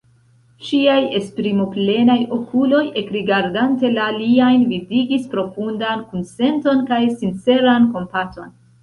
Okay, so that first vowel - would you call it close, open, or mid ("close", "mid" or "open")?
close